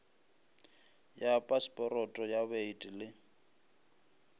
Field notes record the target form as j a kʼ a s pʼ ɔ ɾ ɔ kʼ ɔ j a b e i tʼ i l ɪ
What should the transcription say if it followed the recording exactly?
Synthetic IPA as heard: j a pʼ a s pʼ ɔ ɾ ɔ tʼ ɔ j a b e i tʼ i l ɪ

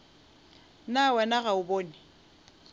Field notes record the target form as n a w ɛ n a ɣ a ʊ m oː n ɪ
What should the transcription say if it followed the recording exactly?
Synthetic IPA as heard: n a w ɛ n a ɣ a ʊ b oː n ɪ

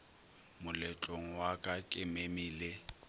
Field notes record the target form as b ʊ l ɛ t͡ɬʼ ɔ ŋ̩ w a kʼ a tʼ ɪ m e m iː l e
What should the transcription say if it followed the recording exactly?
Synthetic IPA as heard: m ʊ l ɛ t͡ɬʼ o ŋ̩ w a kʼ a kʼ ɪ m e m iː l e

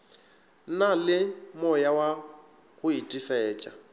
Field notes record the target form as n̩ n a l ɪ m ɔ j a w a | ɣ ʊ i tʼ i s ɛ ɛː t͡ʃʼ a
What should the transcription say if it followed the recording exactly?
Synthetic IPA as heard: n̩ n a l ɪ m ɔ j a w a | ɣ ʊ i tʼ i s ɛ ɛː t͡ʃʼ a

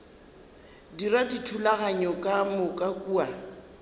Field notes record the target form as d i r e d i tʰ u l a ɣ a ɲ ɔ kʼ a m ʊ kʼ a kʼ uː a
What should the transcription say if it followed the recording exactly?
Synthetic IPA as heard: d i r a d i tʰ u l a ɣ a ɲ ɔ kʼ a m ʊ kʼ a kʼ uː a

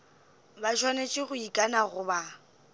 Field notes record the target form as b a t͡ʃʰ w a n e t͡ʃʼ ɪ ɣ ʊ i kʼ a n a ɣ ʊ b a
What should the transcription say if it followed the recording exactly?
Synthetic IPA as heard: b a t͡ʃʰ w a n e t͡ʃʼ ɪ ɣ ʊ i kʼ a n a ɣ ʊ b a

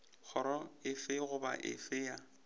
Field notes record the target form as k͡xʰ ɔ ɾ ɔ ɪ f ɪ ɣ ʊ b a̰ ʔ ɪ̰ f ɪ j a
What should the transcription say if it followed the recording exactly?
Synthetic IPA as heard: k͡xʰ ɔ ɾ ɔ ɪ f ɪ ɣ ʊ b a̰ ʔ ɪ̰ f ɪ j a

